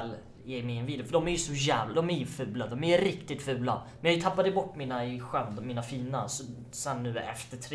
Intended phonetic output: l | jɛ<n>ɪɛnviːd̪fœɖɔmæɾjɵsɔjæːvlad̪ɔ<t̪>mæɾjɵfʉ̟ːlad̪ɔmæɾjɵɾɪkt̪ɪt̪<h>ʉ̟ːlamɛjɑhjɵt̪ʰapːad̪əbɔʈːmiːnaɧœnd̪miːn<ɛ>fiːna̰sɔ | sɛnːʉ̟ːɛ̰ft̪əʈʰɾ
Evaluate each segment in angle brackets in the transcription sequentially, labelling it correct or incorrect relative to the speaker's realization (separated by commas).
incorrect, incorrect, incorrect, incorrect